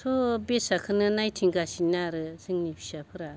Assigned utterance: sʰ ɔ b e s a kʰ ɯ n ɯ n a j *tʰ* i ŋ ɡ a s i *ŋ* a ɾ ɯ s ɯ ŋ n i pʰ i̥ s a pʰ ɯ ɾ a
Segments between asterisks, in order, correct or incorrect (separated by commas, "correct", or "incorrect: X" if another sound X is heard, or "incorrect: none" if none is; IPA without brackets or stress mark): correct, incorrect: n